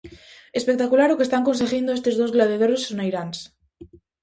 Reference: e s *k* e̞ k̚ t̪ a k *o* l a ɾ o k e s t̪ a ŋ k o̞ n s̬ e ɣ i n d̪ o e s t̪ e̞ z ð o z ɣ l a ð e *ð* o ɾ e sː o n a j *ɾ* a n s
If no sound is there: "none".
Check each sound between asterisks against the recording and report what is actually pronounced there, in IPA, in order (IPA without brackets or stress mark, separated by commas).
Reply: p, u, ð, ɾ